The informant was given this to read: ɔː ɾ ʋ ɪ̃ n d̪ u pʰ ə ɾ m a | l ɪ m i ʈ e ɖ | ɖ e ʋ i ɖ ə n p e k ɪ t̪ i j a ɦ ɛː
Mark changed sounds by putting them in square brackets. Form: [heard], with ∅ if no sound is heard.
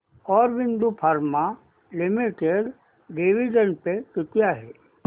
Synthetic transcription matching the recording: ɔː ɾ ʋ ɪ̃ n d̪ u pʰ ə ɾ m a | l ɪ m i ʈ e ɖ | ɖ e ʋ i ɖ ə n p e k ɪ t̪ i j a ɦ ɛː